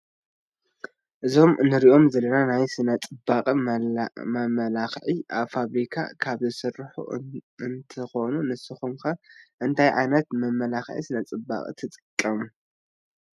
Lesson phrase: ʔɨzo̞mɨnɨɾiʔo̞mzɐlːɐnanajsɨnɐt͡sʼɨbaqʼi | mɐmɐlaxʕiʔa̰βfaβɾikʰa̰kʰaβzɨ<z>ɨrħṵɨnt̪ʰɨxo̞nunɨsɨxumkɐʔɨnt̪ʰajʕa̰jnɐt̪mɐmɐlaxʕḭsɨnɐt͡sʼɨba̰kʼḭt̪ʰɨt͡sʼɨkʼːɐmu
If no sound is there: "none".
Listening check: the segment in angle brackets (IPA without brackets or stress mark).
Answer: s